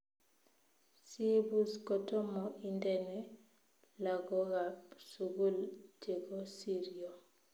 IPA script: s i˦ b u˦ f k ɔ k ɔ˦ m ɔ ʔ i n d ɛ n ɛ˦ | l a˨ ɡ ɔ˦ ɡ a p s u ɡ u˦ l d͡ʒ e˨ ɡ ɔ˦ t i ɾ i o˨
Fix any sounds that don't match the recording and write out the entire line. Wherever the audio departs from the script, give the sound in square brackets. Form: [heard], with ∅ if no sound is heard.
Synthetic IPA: s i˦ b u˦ [s] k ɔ [t] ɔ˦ m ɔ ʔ i n d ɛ n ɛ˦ | l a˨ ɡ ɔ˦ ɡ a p s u ɡ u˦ l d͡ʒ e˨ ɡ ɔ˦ [s] i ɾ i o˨